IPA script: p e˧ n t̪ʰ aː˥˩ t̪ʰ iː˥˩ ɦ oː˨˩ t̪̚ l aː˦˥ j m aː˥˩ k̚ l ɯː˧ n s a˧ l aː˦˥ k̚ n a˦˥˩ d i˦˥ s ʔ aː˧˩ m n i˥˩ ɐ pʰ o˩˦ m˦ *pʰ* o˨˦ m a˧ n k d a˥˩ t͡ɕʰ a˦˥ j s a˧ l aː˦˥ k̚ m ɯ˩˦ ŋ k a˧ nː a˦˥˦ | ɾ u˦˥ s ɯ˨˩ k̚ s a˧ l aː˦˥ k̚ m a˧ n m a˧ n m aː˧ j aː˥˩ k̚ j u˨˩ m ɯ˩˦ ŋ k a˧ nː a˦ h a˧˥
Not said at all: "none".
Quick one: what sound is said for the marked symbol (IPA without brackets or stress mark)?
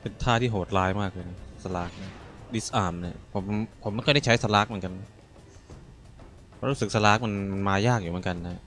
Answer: pʰ